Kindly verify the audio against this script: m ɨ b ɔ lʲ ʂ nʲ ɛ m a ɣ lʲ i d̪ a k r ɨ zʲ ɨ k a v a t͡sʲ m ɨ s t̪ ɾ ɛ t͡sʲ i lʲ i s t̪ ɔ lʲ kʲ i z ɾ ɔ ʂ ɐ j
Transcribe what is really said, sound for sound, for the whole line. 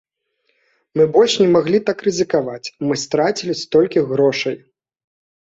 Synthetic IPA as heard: m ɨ b ɔ lʲ ʂ nʲ ɛ m a ɣ lʲ i t̪ a k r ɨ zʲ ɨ k a v a t͡sʲ m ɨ s t̪ ɾ a t͡sʲ i lʲ i s t̪ ɔ lʲ kʲ i ɣ ɾ ɔ ʂ ɐ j